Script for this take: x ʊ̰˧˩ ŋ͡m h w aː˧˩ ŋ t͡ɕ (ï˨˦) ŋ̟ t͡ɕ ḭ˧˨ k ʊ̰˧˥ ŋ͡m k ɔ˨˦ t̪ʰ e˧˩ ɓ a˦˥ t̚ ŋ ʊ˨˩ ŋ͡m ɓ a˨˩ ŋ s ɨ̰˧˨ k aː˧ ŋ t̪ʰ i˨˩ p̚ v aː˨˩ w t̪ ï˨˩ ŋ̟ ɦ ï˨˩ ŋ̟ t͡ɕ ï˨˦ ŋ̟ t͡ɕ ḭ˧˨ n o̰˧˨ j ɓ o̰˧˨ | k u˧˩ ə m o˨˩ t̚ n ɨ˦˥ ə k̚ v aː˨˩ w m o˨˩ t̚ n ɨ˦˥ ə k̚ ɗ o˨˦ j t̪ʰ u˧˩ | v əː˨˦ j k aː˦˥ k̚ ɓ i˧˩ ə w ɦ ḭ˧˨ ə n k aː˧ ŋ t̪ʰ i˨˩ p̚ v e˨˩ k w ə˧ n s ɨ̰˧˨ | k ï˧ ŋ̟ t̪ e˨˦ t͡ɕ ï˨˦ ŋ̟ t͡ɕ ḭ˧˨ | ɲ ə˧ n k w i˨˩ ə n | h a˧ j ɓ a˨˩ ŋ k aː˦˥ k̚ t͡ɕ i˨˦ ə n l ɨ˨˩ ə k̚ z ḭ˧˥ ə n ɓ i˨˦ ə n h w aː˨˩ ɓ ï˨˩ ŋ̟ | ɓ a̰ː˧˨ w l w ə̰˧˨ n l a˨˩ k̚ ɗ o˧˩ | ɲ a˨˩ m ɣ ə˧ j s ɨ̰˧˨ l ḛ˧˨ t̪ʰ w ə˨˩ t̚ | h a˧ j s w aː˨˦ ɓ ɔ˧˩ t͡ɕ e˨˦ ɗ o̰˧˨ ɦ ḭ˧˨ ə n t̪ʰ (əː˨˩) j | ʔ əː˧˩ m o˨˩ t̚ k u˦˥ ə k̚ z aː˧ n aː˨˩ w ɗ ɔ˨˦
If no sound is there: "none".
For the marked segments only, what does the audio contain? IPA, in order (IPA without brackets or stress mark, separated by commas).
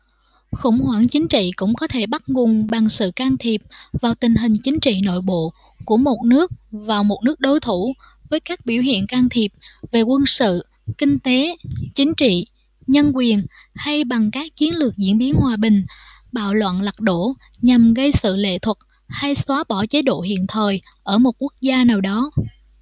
ï˨˦, əː˨˩